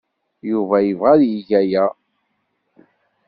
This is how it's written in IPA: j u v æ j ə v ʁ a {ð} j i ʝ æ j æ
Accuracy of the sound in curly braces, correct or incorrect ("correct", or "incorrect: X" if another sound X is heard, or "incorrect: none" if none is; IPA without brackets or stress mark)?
correct